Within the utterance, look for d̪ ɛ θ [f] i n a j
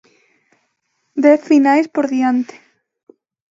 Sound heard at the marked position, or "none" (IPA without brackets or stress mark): f